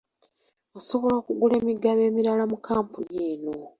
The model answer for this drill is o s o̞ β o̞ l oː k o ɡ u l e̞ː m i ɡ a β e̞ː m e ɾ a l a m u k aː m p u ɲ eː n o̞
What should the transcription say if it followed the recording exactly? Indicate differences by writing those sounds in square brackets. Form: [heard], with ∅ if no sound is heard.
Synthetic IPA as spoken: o s o̞ β o̞ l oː k [u] ɡ u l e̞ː m i ɡ a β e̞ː m [i] ɾ a l a m u k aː m p u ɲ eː n o̞